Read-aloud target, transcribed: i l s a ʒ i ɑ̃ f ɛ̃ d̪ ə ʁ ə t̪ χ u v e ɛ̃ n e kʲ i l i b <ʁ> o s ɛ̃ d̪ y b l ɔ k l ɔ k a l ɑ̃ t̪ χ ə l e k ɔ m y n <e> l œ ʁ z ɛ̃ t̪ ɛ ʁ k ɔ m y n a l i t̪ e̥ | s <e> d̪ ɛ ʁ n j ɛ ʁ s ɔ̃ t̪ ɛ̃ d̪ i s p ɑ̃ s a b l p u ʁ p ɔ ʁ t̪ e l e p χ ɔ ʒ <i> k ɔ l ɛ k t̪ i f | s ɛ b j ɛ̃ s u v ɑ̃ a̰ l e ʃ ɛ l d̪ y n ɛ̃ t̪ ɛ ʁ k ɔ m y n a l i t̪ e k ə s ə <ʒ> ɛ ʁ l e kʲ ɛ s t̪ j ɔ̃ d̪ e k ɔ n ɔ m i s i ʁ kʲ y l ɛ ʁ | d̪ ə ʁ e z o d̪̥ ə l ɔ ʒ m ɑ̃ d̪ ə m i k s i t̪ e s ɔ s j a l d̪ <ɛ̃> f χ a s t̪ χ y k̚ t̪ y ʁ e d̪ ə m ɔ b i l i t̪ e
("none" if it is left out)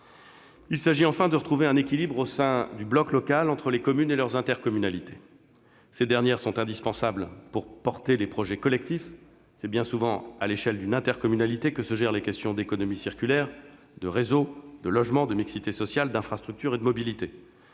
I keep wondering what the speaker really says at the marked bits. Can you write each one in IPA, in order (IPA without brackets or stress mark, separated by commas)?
ʁ, e, e, ɛ, ʒ, ɛ̃